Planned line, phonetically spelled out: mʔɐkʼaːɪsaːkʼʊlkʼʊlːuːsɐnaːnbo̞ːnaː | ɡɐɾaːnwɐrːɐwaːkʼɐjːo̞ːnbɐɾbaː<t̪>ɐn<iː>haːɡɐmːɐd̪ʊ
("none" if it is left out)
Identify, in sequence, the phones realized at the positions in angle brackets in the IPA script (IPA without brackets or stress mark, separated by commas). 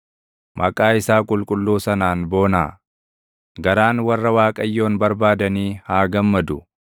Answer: d̪, iː